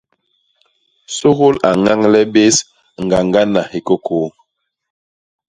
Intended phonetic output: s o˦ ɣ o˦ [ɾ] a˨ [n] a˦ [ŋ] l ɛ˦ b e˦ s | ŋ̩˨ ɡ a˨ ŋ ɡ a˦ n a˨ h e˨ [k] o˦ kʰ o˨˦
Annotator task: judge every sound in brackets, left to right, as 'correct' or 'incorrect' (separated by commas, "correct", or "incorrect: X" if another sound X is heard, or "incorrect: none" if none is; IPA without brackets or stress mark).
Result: incorrect: l, incorrect: ŋ, correct, correct